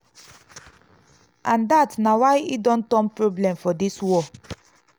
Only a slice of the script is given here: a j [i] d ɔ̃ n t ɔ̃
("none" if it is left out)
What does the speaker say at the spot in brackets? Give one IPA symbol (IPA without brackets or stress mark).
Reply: i